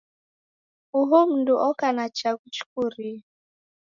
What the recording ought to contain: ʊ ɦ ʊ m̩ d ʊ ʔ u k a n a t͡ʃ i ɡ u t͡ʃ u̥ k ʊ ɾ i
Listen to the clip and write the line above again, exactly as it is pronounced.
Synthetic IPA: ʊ ɦ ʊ m̩ d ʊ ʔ ɔ k a n a t͡ʃ a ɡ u t͡ʃ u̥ k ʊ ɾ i